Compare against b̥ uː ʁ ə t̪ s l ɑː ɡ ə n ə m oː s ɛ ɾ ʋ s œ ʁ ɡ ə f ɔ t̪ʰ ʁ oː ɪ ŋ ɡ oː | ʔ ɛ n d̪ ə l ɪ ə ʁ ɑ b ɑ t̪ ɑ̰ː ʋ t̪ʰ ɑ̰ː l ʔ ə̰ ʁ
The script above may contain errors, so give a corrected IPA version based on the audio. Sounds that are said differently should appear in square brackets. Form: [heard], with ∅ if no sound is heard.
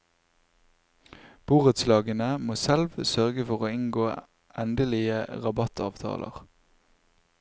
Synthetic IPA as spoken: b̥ uː ʁ ə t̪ s l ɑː ɡ ə n ə m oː s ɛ [l] ʋ s œ ʁ ɡ ə f ɔ [∅] ʁ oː ɪ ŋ ɡ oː | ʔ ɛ n d̪ ə l ɪ ə ʁ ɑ b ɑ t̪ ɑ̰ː ʋ t̪ʰ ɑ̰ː l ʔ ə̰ ʁ